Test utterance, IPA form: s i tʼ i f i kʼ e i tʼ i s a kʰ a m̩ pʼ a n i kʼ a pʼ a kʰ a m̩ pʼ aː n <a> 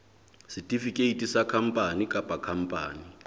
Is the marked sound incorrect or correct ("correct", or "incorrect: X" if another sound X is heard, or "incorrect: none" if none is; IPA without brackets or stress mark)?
incorrect: i